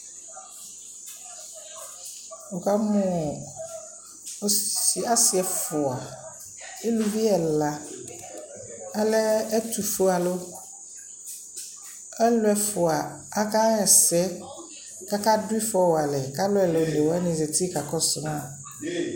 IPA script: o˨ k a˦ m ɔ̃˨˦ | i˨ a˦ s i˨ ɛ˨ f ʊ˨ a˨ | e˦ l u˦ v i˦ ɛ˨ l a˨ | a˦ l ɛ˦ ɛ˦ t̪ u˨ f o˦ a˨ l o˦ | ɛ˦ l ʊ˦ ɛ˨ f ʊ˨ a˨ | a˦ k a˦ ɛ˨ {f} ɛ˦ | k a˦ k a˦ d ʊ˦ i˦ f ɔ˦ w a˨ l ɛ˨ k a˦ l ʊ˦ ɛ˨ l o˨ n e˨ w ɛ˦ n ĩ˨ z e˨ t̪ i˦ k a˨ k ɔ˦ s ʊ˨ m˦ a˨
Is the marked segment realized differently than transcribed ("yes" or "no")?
yes